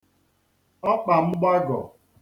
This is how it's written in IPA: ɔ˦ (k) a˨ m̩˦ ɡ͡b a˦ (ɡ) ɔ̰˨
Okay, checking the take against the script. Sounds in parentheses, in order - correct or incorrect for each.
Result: incorrect: k͡p, correct

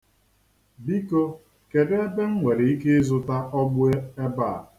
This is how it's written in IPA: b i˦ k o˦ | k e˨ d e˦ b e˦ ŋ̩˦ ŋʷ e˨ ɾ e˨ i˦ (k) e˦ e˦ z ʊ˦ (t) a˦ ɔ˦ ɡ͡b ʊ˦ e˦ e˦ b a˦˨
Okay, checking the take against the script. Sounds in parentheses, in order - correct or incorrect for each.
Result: correct, correct

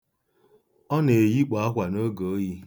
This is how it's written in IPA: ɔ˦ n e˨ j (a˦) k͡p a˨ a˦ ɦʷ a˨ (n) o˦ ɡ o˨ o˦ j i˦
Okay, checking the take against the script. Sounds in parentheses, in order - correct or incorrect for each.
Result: incorrect: i˦, correct

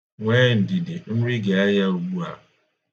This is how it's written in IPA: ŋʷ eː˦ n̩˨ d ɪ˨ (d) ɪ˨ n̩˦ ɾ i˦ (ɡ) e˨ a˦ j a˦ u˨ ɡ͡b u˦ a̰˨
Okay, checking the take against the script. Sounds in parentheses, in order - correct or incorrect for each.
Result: correct, correct

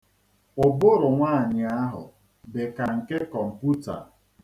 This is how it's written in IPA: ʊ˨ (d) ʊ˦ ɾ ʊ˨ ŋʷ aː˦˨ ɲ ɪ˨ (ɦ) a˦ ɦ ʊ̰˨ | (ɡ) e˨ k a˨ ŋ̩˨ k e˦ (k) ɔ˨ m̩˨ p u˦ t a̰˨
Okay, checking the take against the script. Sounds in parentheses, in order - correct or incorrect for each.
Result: incorrect: b, incorrect: none, incorrect: b, correct

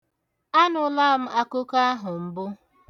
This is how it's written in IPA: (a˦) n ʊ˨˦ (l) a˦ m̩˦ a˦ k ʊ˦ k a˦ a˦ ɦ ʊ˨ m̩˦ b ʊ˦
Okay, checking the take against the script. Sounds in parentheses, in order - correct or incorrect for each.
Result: correct, correct

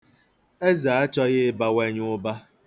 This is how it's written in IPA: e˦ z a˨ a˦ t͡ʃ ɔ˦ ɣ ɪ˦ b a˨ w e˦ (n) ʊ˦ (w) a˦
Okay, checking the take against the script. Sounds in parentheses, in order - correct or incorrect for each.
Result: incorrect: ɲ, incorrect: b

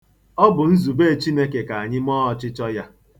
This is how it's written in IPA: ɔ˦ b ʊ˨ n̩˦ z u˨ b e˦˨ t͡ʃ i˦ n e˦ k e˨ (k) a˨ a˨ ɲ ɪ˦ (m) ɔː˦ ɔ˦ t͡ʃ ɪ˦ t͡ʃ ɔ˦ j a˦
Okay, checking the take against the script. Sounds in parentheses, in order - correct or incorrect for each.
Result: correct, correct

